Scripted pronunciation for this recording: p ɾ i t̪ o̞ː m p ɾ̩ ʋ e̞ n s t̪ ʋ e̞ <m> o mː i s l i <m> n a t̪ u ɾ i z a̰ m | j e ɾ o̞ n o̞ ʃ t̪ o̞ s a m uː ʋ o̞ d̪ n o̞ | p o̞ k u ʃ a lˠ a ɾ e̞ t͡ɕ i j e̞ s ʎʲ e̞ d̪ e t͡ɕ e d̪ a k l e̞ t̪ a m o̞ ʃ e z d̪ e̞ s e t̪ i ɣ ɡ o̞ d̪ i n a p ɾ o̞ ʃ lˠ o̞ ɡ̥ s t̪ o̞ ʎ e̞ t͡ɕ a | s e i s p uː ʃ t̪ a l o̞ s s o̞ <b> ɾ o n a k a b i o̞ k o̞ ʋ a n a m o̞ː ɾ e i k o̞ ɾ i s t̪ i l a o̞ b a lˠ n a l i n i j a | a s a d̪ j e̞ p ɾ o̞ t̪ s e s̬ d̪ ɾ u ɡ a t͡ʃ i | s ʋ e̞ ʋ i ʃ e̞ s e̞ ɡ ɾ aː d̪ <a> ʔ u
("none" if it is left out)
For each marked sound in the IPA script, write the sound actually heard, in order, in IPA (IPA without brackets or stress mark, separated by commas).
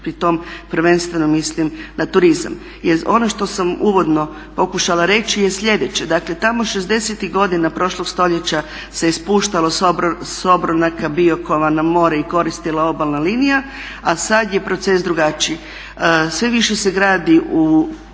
n, m, b, i